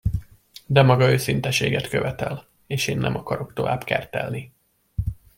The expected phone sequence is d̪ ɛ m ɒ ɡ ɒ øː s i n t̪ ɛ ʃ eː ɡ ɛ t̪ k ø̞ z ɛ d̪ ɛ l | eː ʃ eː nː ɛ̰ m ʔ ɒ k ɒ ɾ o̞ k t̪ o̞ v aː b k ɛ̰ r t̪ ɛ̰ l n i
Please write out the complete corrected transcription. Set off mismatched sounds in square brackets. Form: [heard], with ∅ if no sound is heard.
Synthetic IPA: d̪ ɛ m ɒ ɡ ɒ øː s i n t̪ ɛ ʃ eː ɡ ɛ t̪ k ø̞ [v] ɛ [t̪] ɛ l | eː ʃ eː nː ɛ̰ m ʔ ɒ k ɒ ɾ o̞ k t̪ o̞ v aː b k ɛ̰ r t̪ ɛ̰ l n i